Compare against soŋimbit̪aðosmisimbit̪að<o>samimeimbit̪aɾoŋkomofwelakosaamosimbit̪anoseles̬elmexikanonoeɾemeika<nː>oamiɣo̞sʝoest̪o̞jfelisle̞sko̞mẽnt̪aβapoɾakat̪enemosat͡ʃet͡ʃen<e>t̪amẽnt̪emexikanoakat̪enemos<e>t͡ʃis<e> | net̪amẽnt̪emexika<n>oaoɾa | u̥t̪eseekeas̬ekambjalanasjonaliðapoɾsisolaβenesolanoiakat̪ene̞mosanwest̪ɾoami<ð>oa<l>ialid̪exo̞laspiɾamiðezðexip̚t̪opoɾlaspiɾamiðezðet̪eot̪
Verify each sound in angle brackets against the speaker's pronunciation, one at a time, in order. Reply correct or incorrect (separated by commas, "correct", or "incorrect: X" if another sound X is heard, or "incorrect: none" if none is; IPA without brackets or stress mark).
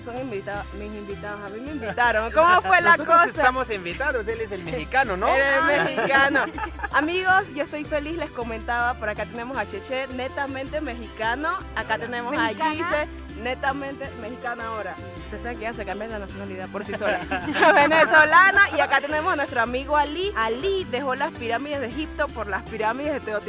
correct, incorrect: n, correct, incorrect: a, correct, correct, incorrect: ɣ, correct